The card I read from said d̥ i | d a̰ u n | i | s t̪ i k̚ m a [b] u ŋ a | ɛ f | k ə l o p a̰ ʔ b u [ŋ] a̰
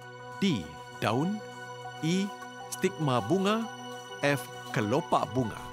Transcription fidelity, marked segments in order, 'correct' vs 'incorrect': correct, correct

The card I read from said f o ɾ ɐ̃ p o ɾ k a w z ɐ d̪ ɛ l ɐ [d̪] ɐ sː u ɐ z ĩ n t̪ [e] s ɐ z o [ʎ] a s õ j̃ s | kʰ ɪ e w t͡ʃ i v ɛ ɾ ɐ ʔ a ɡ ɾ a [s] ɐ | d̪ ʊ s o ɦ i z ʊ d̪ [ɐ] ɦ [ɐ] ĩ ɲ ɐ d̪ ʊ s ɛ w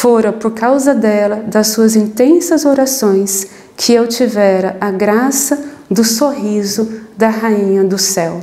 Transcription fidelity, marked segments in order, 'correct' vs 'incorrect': correct, incorrect: ẽ, incorrect: ɾ, correct, correct, incorrect: a

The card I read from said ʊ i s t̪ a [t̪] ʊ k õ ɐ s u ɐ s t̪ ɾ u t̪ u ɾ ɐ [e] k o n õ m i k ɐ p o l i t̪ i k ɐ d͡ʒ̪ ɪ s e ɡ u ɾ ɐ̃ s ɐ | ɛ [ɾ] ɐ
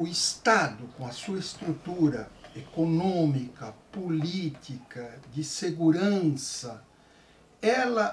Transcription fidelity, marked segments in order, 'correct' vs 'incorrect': incorrect: d̪, correct, incorrect: l

